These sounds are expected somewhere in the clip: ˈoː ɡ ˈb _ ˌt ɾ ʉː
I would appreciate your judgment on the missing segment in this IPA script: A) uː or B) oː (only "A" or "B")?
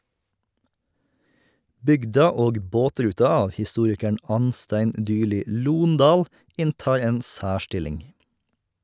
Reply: B